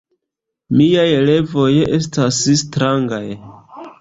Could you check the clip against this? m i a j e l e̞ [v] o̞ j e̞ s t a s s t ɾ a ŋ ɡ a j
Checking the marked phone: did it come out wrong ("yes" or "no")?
no